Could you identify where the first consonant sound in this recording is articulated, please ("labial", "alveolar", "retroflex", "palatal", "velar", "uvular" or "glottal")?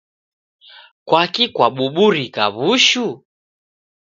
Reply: velar